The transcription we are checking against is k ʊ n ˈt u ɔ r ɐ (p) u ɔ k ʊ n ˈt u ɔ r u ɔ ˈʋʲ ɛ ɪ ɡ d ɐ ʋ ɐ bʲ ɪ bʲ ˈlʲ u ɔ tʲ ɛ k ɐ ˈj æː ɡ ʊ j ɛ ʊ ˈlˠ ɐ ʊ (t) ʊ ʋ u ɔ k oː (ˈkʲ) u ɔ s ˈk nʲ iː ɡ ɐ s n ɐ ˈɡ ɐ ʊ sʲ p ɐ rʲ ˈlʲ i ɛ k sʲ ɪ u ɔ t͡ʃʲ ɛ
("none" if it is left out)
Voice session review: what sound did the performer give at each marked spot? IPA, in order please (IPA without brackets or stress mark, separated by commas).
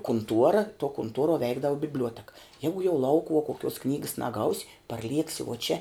t, k, kʲ